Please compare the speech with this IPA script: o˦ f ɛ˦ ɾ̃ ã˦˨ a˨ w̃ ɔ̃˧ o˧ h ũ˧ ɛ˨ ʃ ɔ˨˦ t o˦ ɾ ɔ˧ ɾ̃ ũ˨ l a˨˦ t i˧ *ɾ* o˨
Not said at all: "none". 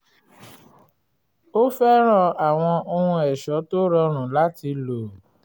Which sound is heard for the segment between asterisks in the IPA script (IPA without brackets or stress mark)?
l